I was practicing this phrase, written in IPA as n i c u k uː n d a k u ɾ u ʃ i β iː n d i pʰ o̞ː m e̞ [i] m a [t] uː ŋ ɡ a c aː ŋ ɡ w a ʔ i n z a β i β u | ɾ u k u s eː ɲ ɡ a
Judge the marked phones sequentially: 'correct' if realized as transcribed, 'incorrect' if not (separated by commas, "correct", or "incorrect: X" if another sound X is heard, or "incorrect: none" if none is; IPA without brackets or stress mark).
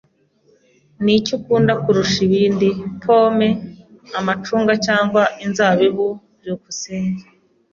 incorrect: a, incorrect: t͡ʃ